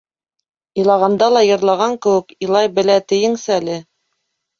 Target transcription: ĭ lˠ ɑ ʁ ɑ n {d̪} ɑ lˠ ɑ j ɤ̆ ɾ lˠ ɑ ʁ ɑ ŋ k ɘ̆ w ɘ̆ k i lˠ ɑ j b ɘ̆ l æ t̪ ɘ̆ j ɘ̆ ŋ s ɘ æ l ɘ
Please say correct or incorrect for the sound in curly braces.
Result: correct